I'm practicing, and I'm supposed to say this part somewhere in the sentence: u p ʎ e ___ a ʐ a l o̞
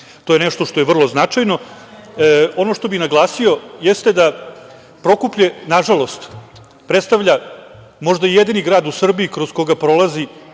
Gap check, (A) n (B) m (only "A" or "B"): A